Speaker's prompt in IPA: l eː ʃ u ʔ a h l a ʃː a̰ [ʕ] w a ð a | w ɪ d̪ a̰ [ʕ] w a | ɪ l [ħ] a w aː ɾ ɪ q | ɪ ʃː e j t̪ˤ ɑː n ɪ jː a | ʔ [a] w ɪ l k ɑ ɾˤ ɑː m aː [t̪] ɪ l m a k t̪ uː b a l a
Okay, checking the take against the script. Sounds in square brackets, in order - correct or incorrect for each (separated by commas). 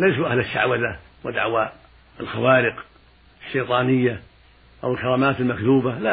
correct, correct, incorrect, correct, correct